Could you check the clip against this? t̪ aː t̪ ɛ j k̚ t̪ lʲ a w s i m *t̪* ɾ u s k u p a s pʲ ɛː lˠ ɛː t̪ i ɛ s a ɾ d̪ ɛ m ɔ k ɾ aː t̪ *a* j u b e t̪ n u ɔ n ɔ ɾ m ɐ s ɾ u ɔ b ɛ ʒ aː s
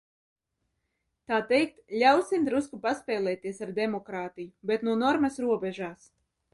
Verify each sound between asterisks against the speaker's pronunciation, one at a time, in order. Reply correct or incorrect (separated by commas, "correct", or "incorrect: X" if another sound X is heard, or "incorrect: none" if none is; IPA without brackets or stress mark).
incorrect: d̪, incorrect: i